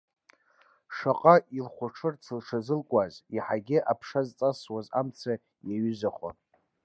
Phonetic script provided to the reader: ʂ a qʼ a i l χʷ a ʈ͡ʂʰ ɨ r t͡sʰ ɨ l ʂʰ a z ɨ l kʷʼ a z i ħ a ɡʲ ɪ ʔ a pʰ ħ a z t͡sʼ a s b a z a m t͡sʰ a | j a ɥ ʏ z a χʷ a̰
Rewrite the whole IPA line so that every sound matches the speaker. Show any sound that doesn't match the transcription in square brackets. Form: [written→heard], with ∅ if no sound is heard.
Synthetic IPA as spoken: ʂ a qʼ a i l χʷ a ʈ͡ʂʰ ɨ r t͡sʰ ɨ l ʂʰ a z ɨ l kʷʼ a z i ħ a ɡʲ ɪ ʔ a pʰ [ħ→ʂ] a z t͡sʼ a s [b→w] a z a m t͡sʰ a | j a ɥ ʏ z a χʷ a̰